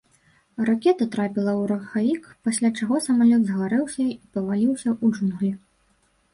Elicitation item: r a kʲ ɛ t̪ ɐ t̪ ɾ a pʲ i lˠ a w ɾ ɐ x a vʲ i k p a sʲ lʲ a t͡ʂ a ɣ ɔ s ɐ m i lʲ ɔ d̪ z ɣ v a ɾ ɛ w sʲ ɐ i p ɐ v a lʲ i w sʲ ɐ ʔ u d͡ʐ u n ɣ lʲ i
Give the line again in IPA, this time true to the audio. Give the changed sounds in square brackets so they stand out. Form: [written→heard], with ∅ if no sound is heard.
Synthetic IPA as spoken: r a kʲ ɛ t̪ ɐ t̪ ɾ a pʲ i lˠ [a→ɐ] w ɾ ɐ x a vʲ i k p a sʲ lʲ a t͡ʂ a ɣ ɔ s ɐ m [i→a] lʲ ɔ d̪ z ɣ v a ɾ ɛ w sʲ ɐ i p ɐ v a lʲ i w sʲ ɐ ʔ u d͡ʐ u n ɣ lʲ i